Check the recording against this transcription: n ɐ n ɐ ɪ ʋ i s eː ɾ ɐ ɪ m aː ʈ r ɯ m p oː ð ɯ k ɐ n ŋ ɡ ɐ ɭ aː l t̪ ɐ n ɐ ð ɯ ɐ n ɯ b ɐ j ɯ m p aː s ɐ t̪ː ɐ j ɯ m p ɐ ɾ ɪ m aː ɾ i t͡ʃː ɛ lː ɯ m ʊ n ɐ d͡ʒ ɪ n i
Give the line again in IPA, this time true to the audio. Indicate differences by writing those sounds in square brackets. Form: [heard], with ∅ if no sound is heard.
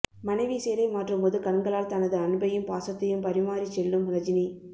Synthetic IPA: [m] ɐ n ɐ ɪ ʋ i s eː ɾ ɐ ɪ m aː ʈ r ɯ m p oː ð ɯ k ɐ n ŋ ɡ ɐ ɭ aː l t̪ ɐ n ɐ ð ɯ ɐ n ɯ b ɐ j ɯ m p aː s ɐ t̪ː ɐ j ɯ m p ɐ ɾ ɪ m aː ɾ i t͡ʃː ɛ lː ɯ m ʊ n ɐ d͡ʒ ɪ n i